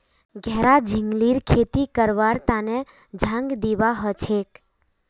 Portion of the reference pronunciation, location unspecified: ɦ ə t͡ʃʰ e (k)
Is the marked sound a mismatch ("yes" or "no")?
no